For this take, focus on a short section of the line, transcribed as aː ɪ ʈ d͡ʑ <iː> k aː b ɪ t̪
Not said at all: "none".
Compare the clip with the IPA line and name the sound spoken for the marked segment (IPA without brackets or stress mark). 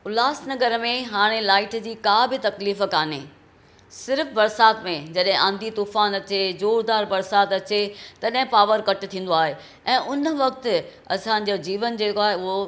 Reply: iː